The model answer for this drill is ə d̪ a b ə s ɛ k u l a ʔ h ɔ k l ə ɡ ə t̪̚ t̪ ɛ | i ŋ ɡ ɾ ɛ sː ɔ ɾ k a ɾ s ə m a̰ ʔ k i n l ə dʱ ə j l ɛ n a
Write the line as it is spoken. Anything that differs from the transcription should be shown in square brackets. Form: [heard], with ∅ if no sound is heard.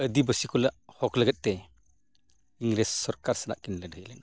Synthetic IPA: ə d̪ [i] b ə s [i] k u l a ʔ h ɔ k l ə ɡ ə t̪̚ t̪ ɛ | i ŋ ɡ ɾ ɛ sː ɔ ɾ k a ɾ s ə [n] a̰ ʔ k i n l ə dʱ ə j l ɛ n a